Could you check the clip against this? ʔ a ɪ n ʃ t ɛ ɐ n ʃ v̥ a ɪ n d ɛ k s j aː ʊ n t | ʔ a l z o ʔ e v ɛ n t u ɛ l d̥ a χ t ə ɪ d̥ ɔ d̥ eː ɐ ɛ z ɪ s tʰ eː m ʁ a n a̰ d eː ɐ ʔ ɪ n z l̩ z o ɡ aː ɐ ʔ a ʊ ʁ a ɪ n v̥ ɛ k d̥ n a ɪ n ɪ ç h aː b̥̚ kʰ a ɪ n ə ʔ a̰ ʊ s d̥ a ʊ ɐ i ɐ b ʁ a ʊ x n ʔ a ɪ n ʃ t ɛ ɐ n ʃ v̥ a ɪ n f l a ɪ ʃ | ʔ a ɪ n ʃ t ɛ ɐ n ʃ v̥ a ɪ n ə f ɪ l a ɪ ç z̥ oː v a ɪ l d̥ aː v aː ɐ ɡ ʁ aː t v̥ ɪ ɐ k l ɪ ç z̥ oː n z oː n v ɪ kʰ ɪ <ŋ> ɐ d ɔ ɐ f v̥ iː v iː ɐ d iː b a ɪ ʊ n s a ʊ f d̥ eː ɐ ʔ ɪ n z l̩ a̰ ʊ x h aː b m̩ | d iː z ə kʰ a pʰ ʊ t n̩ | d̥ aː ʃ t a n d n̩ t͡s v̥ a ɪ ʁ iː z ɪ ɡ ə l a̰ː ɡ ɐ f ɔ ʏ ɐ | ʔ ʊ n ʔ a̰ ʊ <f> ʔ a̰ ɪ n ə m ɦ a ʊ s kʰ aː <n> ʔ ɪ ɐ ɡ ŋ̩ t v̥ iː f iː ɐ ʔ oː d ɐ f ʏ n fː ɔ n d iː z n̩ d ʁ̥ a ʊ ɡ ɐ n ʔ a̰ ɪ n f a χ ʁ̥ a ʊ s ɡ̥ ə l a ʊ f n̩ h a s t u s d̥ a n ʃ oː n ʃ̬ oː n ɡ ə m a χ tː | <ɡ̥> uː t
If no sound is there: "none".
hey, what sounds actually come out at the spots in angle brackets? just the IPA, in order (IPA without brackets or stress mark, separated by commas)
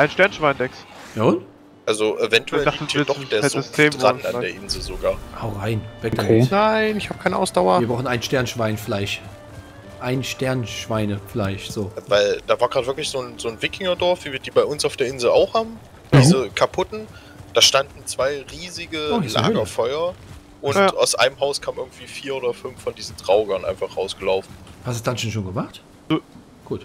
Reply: ŋ, s, m, ɡ̥